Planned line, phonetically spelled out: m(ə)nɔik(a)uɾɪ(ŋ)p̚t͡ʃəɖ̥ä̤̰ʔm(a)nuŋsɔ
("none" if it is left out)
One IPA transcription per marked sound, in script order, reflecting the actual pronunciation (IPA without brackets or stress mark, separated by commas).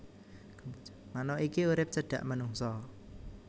a, i, none, ə